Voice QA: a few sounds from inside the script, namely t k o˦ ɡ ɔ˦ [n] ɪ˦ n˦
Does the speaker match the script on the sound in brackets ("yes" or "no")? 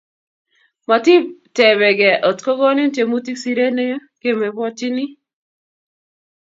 yes